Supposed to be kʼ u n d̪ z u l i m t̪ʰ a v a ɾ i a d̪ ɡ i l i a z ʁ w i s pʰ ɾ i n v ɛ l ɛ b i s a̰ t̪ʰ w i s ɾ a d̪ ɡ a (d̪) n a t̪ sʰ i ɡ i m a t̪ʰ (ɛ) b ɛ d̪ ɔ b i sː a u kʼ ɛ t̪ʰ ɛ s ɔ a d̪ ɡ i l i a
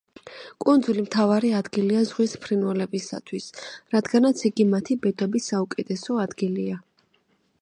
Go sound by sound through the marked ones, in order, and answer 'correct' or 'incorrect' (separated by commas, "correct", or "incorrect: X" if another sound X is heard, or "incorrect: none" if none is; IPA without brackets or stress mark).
incorrect: none, incorrect: i